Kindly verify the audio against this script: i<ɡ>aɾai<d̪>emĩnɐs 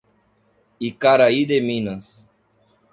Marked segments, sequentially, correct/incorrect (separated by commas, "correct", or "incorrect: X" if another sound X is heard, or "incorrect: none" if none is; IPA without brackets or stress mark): incorrect: k, correct